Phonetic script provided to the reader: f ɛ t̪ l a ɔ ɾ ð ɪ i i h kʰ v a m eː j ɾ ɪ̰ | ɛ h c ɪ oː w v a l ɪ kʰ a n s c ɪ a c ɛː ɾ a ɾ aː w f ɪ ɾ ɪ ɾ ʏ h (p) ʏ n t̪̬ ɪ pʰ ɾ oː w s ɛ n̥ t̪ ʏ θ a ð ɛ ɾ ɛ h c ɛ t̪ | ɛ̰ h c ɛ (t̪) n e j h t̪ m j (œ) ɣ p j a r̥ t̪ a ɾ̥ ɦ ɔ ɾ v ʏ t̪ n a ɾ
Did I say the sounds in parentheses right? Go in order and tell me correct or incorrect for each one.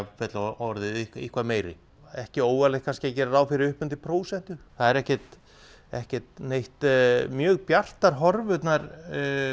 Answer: correct, correct, incorrect: œː

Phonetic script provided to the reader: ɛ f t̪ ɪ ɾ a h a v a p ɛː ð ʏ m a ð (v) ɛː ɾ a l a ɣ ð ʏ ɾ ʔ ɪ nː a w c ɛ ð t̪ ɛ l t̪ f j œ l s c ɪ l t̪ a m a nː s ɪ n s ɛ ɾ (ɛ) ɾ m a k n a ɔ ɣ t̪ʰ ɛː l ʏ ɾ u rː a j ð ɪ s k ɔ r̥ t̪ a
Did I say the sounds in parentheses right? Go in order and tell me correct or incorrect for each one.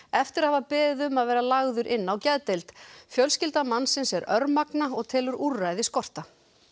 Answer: correct, incorrect: œ

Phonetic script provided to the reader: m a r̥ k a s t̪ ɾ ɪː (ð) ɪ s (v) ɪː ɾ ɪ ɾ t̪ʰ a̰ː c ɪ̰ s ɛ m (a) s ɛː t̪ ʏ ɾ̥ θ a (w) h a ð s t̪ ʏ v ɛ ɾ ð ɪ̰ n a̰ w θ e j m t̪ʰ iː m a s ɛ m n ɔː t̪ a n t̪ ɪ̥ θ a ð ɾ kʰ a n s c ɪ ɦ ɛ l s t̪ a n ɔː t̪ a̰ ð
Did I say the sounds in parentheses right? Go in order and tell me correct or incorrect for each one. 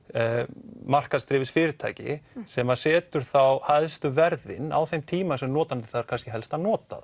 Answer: incorrect: v, incorrect: f, correct, correct

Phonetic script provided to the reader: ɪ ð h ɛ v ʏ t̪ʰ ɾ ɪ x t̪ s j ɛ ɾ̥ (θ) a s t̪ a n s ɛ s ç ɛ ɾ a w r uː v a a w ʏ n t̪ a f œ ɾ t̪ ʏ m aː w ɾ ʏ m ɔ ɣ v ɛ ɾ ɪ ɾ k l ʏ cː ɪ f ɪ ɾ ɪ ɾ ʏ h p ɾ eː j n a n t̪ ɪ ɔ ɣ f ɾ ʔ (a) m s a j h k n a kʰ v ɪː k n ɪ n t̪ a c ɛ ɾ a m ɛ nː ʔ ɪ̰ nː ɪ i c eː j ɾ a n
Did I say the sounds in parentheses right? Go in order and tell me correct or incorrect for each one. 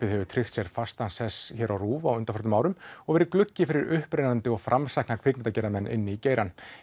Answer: incorrect: f, correct

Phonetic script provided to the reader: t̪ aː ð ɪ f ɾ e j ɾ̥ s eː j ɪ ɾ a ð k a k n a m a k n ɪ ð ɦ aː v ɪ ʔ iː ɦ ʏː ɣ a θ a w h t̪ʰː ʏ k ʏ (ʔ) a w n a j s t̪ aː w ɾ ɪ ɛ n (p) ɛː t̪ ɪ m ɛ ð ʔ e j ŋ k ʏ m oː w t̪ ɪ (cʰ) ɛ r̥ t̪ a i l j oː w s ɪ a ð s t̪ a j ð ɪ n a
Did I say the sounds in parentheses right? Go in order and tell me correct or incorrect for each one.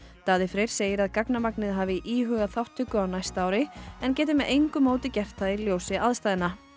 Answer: incorrect: none, incorrect: c, incorrect: c

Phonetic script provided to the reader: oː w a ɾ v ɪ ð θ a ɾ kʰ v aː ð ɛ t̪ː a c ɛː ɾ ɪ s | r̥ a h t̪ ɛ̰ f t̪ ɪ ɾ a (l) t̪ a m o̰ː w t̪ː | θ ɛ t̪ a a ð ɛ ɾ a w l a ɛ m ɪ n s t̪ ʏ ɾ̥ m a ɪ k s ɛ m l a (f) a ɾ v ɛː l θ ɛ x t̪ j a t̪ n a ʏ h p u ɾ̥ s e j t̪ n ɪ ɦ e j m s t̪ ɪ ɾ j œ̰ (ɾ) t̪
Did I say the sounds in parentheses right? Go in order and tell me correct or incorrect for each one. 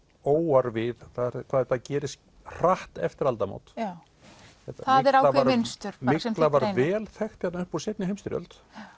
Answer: correct, incorrect: v, incorrect: l

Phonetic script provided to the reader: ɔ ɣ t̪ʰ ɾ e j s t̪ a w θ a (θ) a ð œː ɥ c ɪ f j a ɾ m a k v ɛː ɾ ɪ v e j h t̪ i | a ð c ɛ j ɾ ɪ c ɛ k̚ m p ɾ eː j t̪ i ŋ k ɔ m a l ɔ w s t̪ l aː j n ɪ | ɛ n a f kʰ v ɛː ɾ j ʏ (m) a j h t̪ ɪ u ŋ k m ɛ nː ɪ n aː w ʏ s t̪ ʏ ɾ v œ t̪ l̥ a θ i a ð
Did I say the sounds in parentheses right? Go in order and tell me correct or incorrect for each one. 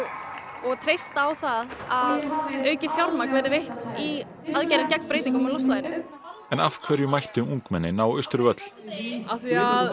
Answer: incorrect: ð, correct

